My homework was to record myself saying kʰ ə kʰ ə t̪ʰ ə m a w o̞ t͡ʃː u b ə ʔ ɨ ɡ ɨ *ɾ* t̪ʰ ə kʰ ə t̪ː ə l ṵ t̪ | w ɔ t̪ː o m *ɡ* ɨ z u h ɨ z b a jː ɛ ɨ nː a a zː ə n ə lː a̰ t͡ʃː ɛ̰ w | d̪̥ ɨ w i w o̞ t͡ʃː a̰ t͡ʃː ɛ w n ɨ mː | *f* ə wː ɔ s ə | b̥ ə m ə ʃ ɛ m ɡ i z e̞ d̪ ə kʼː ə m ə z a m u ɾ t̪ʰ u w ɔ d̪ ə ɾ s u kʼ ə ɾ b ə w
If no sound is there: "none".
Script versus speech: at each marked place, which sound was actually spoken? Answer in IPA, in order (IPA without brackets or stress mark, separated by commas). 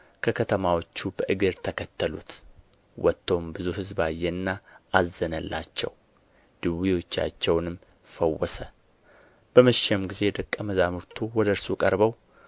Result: ɾ, b, f